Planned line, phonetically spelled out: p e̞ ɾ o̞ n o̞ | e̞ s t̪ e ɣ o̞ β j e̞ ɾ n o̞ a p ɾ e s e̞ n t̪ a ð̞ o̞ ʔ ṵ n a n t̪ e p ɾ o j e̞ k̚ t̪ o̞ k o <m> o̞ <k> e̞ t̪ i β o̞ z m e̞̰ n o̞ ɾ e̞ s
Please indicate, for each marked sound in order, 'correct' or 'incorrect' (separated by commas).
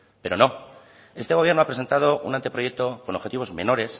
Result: incorrect, incorrect